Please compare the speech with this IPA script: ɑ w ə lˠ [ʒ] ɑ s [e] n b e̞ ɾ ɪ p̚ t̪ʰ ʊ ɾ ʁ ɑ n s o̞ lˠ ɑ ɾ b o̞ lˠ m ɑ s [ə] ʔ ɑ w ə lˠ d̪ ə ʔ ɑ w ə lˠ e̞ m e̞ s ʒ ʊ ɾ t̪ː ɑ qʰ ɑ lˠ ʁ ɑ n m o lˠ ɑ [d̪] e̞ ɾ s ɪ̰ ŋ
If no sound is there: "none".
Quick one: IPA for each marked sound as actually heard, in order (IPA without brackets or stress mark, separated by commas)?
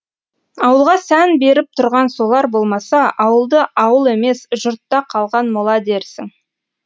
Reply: ʁ, æ, ɑ, d̪